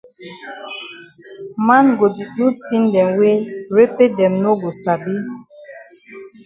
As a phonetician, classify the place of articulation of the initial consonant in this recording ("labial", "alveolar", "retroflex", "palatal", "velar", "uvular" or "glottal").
labial